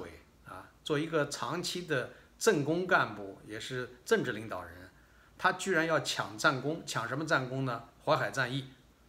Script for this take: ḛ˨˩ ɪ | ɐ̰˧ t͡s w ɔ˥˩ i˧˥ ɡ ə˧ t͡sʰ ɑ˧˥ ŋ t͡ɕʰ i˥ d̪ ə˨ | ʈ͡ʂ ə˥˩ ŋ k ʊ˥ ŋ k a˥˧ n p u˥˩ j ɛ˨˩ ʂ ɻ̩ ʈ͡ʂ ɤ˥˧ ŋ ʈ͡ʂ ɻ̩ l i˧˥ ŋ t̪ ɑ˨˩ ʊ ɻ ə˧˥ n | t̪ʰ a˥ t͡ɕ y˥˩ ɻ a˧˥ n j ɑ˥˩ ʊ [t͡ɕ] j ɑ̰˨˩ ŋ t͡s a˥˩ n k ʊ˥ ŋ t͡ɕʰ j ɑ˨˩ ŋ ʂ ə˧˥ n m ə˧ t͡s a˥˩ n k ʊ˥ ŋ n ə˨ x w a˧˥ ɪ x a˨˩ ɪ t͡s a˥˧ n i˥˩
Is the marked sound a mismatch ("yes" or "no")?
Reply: yes